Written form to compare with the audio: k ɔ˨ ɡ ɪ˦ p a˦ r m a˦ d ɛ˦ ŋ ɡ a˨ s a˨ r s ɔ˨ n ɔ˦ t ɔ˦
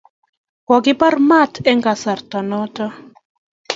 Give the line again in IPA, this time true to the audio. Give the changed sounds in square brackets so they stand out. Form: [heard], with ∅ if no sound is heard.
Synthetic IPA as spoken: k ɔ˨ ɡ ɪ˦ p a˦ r m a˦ [t] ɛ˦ ŋ ɡ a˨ s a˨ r [t] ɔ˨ n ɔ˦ t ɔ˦